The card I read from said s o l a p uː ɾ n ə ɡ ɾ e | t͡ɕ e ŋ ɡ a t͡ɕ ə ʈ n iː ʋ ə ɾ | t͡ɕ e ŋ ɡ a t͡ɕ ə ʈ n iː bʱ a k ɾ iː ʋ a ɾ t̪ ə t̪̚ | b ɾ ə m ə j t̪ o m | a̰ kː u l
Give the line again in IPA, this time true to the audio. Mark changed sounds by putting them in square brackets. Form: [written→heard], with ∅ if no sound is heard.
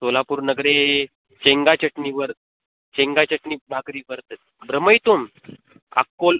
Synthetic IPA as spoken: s o l a p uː ɾ n ə ɡ ɾ e | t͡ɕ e ŋ ɡ a t͡ɕ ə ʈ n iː ʋ ə ɾ | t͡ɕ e ŋ ɡ a t͡ɕ ə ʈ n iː bʱ a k ɾ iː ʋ [a→ə] ɾ t̪ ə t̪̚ | b ɾ ə m ə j t̪ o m | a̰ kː [u→o] l